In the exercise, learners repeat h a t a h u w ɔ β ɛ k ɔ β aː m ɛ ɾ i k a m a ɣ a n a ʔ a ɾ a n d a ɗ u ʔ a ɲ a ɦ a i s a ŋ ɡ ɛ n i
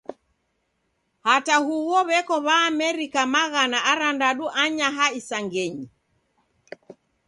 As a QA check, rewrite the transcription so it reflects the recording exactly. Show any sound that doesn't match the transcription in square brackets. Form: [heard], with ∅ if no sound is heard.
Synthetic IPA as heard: h a t a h u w ɔ β ɛ k ɔ β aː m ɛ ɾ i k a m a ɣ a n a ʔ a ɾ a n d a ɗ u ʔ a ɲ a ɦ a i s a ŋ ɡ ɛ [ɲ] i